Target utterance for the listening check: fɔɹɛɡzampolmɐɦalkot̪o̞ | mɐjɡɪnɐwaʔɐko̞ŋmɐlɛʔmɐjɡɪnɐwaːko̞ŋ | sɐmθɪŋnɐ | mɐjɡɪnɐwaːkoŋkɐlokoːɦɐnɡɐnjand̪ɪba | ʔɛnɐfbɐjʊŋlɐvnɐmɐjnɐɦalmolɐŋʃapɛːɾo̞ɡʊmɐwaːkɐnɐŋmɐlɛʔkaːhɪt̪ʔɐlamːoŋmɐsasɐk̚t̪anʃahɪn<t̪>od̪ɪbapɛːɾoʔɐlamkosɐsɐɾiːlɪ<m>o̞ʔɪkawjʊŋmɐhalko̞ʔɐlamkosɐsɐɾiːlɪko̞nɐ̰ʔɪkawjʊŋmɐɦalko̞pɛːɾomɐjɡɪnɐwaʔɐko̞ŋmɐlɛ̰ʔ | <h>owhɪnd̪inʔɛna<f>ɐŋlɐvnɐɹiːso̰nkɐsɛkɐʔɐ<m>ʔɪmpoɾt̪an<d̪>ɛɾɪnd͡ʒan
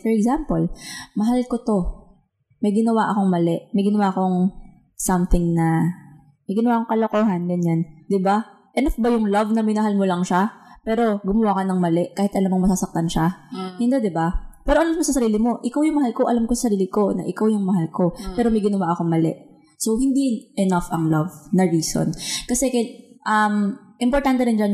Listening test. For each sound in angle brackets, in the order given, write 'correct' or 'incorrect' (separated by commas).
incorrect, correct, incorrect, correct, correct, incorrect